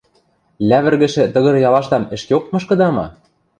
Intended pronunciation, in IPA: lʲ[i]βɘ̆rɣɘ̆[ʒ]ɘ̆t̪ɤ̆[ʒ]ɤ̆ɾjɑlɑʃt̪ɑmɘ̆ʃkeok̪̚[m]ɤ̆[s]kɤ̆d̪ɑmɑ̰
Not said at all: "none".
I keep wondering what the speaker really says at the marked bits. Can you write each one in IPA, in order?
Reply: æ, ʃ, ɣ, m, ʃ

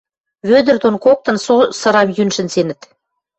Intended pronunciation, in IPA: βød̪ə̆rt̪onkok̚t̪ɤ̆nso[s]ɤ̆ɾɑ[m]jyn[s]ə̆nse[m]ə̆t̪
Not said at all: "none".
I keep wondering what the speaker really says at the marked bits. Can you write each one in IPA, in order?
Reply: s, m, ʃ, n

